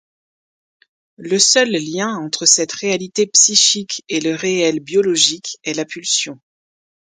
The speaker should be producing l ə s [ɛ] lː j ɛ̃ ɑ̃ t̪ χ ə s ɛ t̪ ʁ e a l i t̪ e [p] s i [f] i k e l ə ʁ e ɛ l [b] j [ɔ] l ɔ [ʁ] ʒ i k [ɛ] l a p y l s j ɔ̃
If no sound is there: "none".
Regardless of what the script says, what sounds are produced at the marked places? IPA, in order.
œ, p, ʃ, b, ɔ, none, ɛ

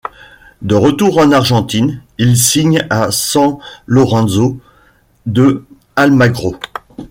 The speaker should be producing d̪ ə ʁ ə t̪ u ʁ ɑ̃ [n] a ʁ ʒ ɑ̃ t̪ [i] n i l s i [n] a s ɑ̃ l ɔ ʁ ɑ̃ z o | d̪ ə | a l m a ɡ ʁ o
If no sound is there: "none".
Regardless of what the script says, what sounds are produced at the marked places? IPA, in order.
n, i, ɲ

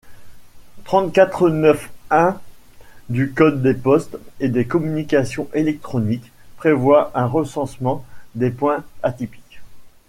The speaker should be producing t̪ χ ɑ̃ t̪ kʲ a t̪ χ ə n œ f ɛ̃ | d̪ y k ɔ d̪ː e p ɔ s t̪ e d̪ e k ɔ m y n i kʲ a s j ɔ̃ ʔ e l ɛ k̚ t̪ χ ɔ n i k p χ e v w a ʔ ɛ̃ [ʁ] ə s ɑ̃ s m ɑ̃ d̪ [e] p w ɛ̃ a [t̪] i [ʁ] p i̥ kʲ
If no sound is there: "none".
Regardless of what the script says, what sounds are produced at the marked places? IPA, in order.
ʁ, e, t̪, none

